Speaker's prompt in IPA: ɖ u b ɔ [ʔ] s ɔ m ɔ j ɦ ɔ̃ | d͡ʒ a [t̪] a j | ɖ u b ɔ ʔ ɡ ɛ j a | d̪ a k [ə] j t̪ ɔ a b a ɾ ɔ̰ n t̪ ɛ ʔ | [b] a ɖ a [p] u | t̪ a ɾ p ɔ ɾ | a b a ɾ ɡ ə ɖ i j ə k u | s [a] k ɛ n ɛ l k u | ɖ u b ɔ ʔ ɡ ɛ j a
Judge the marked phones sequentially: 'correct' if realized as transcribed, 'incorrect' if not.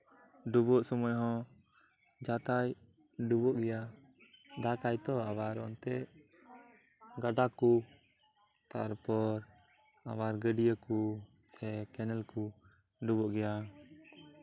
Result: correct, correct, incorrect, incorrect, incorrect, incorrect

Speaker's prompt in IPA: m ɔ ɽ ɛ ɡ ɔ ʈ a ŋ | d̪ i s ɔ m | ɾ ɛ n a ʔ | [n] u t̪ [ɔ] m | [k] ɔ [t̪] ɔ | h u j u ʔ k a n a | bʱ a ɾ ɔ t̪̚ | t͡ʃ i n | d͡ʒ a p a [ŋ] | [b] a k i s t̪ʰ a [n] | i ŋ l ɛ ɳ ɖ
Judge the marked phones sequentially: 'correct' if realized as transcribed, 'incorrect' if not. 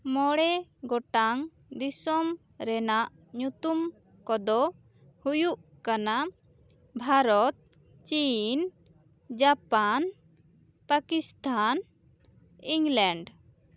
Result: incorrect, incorrect, correct, incorrect, incorrect, incorrect, correct

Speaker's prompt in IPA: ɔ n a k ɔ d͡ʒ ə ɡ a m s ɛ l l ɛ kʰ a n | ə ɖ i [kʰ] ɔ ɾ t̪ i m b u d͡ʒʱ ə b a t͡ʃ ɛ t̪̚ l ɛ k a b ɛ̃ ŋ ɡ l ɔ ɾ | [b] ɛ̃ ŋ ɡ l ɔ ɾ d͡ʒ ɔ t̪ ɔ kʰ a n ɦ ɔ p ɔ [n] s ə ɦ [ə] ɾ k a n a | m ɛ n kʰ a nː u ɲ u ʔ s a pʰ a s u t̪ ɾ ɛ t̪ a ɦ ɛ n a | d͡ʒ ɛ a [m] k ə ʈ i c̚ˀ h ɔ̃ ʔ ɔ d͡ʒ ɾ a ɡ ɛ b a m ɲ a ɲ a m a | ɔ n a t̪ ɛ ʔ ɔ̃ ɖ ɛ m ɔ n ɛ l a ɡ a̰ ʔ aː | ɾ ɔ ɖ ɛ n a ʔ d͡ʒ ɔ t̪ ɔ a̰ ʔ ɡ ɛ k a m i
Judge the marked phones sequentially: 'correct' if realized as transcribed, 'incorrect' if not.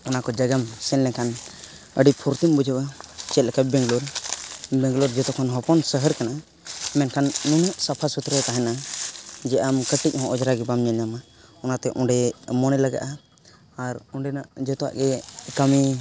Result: incorrect, correct, correct, correct, correct

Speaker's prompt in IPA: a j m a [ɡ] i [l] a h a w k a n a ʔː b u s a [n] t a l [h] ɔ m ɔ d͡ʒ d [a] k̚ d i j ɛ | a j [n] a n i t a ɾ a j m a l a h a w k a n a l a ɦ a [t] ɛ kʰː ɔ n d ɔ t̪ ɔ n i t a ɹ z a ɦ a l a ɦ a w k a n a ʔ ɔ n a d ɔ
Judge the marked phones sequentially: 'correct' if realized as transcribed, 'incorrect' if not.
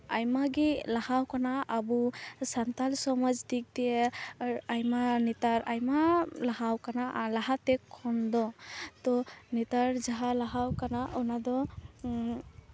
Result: correct, correct, correct, incorrect, incorrect, incorrect, correct

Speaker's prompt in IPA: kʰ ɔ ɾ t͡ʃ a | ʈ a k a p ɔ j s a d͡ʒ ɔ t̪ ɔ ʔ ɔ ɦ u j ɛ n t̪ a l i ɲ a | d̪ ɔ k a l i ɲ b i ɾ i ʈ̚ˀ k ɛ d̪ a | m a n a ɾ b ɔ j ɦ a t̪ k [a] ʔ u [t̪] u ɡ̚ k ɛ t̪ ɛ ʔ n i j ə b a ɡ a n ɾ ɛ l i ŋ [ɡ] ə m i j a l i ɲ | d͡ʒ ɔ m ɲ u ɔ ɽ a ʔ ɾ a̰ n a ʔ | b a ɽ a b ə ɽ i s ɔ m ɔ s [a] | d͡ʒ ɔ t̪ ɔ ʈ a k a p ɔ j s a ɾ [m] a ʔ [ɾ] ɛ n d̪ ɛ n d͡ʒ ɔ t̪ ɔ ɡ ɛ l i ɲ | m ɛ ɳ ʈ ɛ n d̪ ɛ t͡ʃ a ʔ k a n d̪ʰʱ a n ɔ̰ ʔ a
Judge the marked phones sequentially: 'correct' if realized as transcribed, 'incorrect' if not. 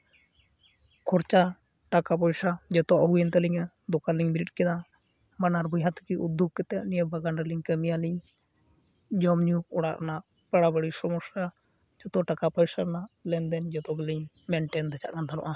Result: incorrect, incorrect, incorrect, correct, incorrect, incorrect

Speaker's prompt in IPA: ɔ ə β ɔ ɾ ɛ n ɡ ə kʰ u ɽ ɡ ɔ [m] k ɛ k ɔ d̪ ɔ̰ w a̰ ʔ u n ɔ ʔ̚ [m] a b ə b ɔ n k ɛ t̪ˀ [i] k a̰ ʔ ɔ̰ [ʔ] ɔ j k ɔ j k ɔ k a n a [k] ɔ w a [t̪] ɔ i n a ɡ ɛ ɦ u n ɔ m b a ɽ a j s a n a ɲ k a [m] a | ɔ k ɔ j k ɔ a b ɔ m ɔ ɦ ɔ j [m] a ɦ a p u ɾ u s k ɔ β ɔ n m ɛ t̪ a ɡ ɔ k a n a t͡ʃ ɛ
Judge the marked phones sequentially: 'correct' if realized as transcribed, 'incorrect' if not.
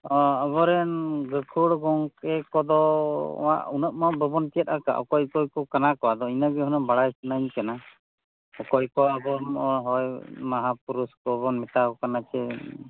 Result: incorrect, correct, incorrect, incorrect, correct, incorrect, incorrect, correct

